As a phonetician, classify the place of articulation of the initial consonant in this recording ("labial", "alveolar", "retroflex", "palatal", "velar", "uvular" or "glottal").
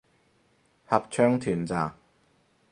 glottal